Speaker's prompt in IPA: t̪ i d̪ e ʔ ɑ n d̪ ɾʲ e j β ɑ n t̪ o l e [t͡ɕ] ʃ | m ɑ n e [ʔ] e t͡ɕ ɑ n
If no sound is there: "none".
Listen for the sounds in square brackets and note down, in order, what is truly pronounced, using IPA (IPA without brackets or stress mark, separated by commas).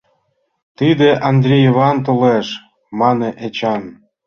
none, ʔ